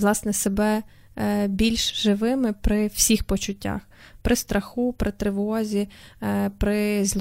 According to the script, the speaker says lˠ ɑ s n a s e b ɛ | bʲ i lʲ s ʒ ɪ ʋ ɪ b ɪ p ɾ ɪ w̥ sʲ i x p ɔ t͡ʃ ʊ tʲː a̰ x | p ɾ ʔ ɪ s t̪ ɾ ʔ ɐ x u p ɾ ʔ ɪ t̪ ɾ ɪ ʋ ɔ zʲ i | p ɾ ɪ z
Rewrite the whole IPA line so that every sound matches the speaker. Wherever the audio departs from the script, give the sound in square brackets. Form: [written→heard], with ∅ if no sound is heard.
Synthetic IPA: lˠ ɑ s n [a→ɛ] s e b ɛ | bʲ i lʲ [s→ʃ] ʒ ɪ ʋ ɪ [b→m] ɪ p ɾ ɪ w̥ sʲ i x p ɔ t͡ʃ ʊ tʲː a̰ x | p ɾ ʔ ɪ s t̪ ɾ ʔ ɐ x u p ɾ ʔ ɪ t̪ ɾ ɪ ʋ ɔ zʲ i | p ɾ ɪ z